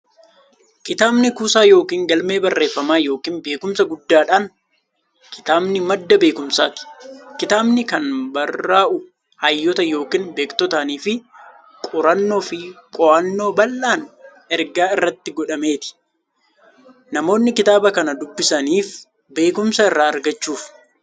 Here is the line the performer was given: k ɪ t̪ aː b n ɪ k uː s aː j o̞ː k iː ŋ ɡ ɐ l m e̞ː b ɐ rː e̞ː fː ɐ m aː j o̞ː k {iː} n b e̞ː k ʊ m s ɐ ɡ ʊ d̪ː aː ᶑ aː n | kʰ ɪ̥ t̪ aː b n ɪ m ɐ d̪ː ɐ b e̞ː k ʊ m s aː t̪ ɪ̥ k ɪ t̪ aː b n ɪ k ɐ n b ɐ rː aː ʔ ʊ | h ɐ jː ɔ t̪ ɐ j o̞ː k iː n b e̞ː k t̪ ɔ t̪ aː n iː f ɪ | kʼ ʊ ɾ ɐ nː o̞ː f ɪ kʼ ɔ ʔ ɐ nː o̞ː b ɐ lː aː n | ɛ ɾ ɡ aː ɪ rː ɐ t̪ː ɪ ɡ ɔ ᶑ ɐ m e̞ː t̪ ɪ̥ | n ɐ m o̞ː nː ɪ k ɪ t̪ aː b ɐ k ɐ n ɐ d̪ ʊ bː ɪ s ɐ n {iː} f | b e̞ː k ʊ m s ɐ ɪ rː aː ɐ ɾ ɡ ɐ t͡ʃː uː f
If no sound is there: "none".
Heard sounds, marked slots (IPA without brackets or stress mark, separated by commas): iː, iː